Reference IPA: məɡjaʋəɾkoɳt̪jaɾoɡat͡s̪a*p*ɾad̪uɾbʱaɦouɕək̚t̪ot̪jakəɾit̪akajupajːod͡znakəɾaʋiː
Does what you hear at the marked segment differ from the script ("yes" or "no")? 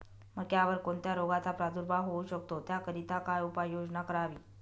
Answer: no